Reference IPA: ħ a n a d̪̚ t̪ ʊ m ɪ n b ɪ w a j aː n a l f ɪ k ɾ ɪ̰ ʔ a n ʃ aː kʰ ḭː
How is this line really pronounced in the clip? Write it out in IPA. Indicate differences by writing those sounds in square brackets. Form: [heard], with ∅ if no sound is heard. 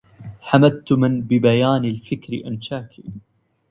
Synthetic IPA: ħ a [m] a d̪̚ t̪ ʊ m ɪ n b ɪ [b] a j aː n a l f ɪ k ɾ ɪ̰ ʔ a n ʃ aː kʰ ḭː